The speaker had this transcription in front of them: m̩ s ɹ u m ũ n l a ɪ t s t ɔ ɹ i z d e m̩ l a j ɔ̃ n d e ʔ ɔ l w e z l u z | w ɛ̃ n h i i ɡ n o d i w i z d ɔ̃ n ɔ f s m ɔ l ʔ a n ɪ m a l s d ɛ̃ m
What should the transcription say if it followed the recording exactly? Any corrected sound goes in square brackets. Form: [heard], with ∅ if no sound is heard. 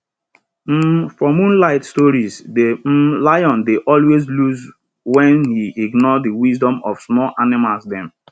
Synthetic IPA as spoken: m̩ [f] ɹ [ɔ] m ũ n l a ɪ t s t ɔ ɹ i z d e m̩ l a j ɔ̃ n d e ʔ ɔ l w e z l u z | w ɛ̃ n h i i ɡ n [ɔ] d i w i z d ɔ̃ [m] ɔ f s m ɔ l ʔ a n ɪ m a l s d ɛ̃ m